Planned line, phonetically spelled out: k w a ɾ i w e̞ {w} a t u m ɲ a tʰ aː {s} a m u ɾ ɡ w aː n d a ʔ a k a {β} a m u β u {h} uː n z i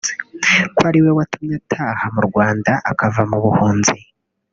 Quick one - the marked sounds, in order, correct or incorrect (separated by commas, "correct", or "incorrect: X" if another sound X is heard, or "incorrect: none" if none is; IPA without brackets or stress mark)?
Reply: correct, incorrect: h, incorrect: v, correct